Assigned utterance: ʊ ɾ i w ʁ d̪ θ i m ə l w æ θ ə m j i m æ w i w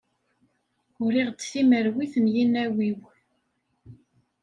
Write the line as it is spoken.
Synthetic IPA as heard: ʊ ɾ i ʁ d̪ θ i m ə ɾ w i θ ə m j i n æ w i w